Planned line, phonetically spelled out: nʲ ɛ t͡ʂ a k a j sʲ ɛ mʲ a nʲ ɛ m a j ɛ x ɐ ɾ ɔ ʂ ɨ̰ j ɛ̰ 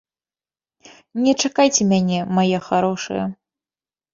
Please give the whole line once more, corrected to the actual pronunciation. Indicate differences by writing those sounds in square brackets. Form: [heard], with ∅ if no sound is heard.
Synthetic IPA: nʲ ɛ t͡ʂ a k a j [t͡sʲ] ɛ mʲ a nʲ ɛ m a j ɛ x [a] ɾ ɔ ʂ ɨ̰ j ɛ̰